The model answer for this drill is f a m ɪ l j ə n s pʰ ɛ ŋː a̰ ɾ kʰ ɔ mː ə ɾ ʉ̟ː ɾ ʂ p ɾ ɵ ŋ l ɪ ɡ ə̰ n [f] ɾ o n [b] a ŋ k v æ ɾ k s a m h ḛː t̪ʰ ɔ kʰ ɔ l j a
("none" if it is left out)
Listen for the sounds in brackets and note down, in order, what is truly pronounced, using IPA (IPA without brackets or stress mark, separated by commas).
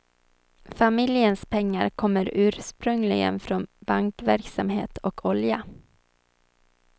f, b